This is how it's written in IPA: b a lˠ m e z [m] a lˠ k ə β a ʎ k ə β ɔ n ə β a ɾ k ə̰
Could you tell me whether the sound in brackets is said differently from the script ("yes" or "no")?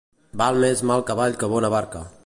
no